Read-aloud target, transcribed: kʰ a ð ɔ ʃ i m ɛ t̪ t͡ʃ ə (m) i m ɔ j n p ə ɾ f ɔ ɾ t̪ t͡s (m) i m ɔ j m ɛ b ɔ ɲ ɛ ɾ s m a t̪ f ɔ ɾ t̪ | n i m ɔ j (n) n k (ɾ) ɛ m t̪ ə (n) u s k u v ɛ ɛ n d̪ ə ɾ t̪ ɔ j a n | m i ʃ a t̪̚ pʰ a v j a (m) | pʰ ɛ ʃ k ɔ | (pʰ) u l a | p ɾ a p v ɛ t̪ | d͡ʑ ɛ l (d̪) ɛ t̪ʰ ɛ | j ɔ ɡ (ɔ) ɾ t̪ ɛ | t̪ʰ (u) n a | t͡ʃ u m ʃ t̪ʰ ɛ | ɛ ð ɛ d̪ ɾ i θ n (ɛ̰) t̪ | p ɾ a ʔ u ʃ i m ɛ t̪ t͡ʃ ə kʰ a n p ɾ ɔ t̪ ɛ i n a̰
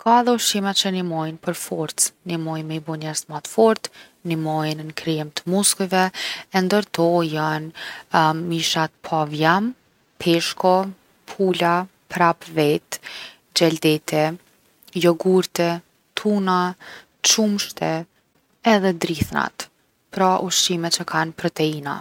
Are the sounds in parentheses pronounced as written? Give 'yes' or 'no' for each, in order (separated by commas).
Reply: no, no, yes, yes, no, yes, yes, yes, no, yes, no